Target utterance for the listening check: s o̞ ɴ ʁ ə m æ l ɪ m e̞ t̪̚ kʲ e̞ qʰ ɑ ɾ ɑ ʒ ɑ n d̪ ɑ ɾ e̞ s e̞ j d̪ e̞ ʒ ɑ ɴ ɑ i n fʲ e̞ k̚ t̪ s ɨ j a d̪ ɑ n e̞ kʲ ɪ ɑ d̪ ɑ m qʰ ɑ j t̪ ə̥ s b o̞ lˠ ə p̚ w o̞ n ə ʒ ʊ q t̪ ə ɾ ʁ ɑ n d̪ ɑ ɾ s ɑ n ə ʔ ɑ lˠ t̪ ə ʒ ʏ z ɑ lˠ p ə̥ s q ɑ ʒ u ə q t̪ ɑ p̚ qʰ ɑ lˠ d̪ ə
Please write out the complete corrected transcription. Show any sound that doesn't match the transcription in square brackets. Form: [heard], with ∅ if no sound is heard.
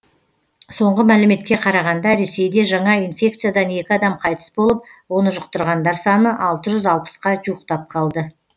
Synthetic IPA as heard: s o̞ ɴ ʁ ə m æ l ɪ m e̞ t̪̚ kʲ e̞ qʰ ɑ ɾ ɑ [ʁ] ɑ n d̪ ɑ ɾ e̞ s e̞ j d̪ e̞ ʒ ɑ ɴ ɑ i n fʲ e̞ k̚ t̪ s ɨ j a d̪ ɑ n e̞ kʲ ɪ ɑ d̪ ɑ m qʰ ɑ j t̪ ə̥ s b o̞ lˠ ə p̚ w o̞ n ə ʒ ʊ q t̪ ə ɾ ʁ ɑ n d̪ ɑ ɾ s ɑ n ə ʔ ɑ lˠ t̪ ə ʒ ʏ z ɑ lˠ p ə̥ s q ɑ ʒ u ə q t̪ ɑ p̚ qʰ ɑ lˠ d̪ ə